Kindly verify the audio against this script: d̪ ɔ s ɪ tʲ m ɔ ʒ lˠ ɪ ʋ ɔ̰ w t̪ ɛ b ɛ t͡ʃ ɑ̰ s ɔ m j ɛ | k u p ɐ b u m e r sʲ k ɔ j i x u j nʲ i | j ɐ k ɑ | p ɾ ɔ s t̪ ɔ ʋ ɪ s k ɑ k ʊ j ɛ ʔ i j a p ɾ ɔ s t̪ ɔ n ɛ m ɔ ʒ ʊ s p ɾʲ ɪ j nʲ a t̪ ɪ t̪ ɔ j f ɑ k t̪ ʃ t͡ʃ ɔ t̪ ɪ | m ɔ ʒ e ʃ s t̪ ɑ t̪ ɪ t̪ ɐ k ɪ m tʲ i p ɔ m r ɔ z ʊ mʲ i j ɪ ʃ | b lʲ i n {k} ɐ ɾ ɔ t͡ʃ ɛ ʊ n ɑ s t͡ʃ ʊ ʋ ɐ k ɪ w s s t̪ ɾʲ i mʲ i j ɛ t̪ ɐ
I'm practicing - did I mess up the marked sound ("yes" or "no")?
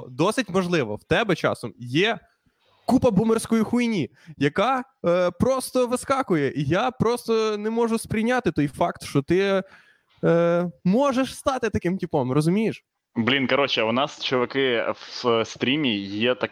no